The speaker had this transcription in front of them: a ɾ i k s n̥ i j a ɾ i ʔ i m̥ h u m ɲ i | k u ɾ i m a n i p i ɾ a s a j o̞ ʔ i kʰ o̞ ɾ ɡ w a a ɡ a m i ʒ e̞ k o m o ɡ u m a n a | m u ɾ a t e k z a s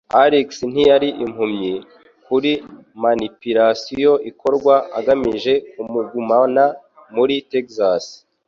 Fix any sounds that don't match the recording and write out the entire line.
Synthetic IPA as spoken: a ɾ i k s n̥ i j a ɾ i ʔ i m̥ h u m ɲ i | k u ɾ i m a n i p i ɾ a s i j o̞ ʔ i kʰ o̞ ɾ ɡ w a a ɡ a m i ʒ e̞ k u m u ɡ u m a n a | m u ɾ i t e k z a s